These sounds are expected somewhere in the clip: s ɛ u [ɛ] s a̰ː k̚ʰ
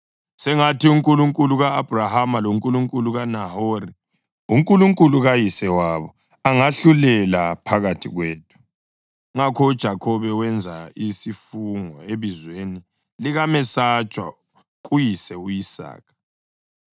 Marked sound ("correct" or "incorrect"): incorrect